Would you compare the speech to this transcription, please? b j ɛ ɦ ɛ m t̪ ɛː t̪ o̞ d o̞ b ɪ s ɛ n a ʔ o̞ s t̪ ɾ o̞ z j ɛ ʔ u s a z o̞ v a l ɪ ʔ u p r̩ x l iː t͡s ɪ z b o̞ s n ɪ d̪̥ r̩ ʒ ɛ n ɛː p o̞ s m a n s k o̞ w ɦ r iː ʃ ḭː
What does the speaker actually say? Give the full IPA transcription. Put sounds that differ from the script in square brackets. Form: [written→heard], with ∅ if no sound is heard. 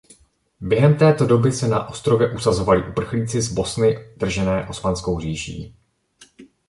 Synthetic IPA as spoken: b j ɛ ɦ ɛ m t̪ ɛː t̪ o̞ d o̞ b ɪ s ɛ n a ʔ o̞ s t̪ ɾ o̞ [z→v] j ɛ ʔ u s a z o̞ v a l ɪ ʔ u p r̩ x l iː t͡s ɪ z b o̞ s n ɪ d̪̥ r̩ ʒ ɛ n ɛː [p→ʔ] o̞ s m a n s k o̞ w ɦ r iː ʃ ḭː